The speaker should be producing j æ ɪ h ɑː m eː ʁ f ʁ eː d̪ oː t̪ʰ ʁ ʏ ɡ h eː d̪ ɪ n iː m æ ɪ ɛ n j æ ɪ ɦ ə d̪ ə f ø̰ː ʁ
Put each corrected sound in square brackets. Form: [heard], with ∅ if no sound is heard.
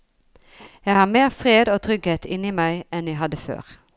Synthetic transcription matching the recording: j æ ɪ h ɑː m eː ʁ f ʁ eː d̪ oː t̪ʰ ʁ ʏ ɡ h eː [t̪] ɪ n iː m æ ɪ ɛ n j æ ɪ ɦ [ɑ] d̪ ə f ø̰ː ʁ

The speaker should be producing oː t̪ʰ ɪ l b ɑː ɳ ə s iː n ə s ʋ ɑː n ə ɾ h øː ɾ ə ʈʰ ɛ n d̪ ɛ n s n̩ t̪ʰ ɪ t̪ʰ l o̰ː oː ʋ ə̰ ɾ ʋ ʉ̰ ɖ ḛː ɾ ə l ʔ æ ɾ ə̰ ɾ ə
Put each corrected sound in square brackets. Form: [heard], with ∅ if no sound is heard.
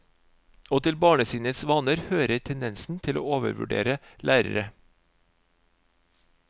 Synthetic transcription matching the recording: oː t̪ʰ ɪ l b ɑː ɳ ə s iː n ə s ʋ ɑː n ə ɾ h øː ɾ ə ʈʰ ɛ n d̪ ɛ n s n̩ t̪ʰ ɪ [∅] l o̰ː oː ʋ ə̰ ɾ ʋ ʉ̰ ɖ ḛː ɾ ə l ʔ [æː] ɾ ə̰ ɾ ə

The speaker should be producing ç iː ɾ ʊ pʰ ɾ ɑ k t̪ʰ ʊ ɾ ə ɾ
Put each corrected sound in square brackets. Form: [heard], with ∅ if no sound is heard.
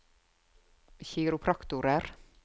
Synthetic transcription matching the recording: ç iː ɾ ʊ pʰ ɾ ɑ k [t̪] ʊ ɾ ə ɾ

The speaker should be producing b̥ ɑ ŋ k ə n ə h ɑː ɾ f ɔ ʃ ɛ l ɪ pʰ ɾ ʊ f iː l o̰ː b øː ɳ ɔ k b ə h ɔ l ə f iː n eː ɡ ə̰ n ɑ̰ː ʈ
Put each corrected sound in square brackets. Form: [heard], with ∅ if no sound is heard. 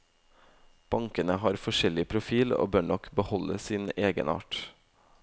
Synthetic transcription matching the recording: b̥ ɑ ŋ k ə n ə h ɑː ɾ f ɔ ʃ ɛ l ɪ pʰ ɾ ʊ f iː l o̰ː b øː ɳ ɔ k b ə h ɔ l ə [s] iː n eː ɡ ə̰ n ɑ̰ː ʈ

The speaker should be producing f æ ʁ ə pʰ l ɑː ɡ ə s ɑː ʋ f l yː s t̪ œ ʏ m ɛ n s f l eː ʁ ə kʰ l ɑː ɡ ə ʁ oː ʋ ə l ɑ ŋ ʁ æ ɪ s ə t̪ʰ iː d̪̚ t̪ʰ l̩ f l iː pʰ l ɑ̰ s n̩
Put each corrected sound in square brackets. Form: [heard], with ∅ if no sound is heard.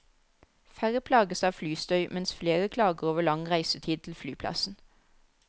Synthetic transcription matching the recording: f æ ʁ ə pʰ l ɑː ɡ ə s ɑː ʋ f l yː s t̪ œ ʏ m ɛ n s f l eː ʁ ə kʰ l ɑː ɡ ə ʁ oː ʋ ə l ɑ ŋ ʁ æ ɪ s ə t̪ʰ iː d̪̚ t̪ʰ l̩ f l [yː] pʰ l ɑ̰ s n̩

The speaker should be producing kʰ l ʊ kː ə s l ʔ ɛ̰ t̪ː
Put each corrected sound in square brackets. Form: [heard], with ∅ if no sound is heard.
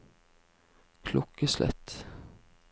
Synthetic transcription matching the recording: kʰ l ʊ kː ə s l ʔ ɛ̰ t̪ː

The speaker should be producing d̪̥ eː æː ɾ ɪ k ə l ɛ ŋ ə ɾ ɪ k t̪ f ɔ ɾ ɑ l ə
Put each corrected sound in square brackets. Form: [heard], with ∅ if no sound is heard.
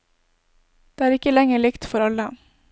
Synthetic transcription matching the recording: d̪̥ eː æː ɾ ɪ k ə l ɛ ŋ ə [ɭ] ɪ k t̪ f ɔ ɾ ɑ l ə

